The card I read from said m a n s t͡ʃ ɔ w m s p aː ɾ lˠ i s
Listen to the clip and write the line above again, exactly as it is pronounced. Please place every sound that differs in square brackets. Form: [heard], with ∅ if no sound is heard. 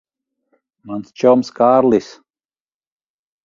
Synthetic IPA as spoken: m a n s t͡ʃ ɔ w m s [k] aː ɾ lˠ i s